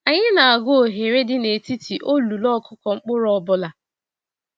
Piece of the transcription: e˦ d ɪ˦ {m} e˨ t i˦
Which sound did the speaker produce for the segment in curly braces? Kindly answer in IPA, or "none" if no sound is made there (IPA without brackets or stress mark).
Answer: n